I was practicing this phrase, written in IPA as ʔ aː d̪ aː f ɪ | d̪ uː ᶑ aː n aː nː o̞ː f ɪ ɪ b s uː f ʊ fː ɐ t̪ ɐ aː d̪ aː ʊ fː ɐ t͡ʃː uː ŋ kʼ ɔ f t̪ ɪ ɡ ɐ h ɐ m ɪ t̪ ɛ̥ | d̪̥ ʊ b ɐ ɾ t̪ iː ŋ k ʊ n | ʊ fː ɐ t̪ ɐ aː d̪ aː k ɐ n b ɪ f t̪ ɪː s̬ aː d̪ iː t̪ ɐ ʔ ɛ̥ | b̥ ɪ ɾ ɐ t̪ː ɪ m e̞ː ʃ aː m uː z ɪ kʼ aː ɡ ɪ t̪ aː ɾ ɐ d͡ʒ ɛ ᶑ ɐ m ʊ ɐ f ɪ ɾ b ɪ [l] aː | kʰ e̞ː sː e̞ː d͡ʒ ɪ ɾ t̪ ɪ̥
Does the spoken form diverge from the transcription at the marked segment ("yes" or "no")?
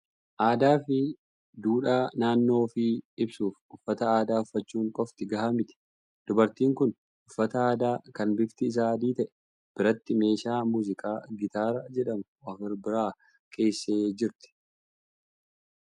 yes